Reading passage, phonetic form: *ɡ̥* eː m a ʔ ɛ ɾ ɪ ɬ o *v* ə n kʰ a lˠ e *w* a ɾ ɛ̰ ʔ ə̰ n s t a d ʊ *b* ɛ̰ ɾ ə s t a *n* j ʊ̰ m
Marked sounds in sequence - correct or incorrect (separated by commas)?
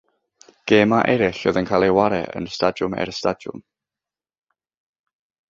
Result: correct, incorrect, correct, incorrect, incorrect